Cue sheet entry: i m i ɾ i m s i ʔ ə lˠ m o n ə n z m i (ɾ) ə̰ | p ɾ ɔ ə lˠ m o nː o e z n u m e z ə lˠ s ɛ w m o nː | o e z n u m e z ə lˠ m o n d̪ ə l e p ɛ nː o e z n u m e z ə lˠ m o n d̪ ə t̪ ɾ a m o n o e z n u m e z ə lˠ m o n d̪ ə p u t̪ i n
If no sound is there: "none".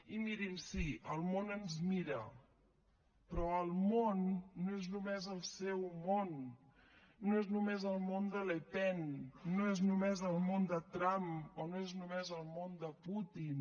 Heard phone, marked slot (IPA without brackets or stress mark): ɾ